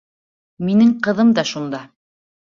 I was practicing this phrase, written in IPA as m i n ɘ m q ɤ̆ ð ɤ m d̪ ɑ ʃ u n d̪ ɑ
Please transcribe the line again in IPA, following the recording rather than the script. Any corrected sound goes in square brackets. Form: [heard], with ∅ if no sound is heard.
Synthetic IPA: m i n ɘ [ŋ] q ɤ̆ ð ɤ m d̪ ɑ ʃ u n d̪ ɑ